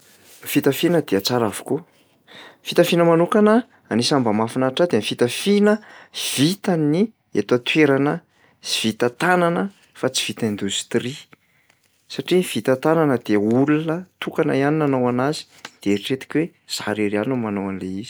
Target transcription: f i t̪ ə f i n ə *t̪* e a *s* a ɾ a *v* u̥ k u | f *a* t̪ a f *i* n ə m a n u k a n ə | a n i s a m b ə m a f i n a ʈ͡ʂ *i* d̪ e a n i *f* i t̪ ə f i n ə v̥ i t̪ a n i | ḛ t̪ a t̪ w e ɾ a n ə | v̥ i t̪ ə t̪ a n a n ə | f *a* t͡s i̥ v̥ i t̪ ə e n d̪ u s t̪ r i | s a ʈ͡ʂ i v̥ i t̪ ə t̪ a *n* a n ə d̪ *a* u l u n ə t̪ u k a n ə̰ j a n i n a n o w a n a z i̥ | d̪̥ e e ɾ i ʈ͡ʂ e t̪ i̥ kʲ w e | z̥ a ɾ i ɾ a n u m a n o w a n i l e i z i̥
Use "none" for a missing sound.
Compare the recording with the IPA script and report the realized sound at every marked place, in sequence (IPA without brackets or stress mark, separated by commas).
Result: d̪, t͡s, v, i, i, a, f, a, n, e